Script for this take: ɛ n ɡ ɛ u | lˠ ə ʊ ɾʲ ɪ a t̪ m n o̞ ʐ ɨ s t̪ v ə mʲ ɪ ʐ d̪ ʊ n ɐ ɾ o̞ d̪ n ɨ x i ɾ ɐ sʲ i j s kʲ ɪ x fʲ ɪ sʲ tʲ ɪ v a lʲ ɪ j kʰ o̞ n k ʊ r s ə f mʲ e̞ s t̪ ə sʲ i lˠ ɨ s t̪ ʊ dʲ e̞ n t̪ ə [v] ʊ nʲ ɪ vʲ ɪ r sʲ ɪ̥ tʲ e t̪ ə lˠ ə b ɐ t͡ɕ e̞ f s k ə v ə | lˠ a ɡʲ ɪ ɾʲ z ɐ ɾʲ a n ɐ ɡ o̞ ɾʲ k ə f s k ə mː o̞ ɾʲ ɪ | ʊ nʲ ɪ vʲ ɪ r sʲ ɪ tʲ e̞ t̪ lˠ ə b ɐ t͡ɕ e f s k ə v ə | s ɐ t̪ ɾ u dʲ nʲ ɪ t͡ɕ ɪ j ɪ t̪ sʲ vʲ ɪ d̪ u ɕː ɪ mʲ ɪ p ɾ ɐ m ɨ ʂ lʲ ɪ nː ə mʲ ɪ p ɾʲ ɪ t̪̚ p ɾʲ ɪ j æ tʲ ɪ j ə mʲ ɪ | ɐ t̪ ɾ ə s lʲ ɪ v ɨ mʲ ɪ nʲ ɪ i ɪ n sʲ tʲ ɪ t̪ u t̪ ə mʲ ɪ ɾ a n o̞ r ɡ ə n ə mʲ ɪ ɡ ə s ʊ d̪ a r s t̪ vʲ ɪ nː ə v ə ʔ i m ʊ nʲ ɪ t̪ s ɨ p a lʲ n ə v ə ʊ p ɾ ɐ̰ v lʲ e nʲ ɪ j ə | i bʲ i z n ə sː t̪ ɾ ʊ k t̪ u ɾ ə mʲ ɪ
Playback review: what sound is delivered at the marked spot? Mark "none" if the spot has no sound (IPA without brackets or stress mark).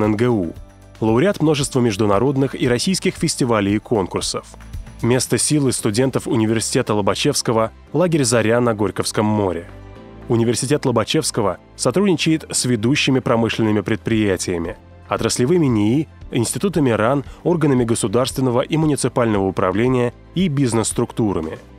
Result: f